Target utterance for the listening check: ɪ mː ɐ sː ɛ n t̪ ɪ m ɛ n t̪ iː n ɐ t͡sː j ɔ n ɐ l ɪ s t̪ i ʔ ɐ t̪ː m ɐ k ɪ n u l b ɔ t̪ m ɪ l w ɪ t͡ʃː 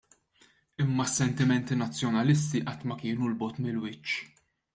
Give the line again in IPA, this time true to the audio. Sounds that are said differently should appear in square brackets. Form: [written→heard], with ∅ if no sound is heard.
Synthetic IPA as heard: ɪ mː ɐ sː ɛ n t̪ ɪ m ɛ n t̪ [iː→i] n ɐ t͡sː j ɔ n ɐ l ɪ s t̪ i ʔ ɐ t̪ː m ɐ k [ɪ→ɪː] n u l b ɔ t̪ m ɪ l w ɪ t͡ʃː